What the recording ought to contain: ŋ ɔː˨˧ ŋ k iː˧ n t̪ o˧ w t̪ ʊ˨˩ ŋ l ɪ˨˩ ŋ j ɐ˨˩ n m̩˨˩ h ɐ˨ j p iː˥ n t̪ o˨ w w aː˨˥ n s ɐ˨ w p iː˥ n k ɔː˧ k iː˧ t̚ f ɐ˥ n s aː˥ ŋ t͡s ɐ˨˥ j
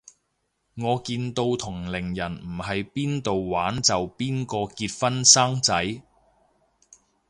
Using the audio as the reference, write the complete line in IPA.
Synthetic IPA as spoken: ŋ ɔː˨˧ k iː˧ n t̪ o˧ w t̪ʰ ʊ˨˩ ŋ l ɪ˨˩ ŋ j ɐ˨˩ n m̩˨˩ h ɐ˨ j p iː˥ n t̪ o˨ w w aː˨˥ n t͡s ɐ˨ w p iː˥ n k ɔː˧ k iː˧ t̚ f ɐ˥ n s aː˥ ŋ t͡s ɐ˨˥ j